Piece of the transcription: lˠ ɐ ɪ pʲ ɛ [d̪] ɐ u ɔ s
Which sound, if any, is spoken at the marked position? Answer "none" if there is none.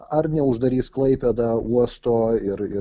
d̪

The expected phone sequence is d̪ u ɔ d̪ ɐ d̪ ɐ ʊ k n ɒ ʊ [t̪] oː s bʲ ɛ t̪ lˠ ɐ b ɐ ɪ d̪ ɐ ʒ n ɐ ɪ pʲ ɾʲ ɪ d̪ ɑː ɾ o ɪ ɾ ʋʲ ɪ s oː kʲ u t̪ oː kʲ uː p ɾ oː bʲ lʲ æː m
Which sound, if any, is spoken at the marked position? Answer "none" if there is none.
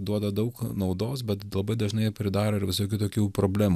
d̪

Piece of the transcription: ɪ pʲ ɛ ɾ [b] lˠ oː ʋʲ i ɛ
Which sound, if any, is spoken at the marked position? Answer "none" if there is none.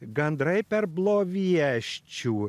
b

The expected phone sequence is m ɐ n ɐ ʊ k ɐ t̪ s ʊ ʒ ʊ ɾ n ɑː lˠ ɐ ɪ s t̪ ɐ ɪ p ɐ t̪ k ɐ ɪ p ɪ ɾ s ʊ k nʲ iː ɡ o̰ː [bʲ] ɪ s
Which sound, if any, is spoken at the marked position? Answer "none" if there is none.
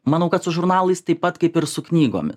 mʲ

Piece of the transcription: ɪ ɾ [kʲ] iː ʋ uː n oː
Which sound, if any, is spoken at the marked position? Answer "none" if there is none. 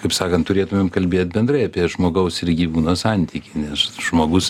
ɡʲ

